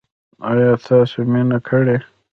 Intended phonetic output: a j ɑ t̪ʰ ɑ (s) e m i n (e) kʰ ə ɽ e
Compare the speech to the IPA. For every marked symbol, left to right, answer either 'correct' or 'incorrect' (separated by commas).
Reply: correct, incorrect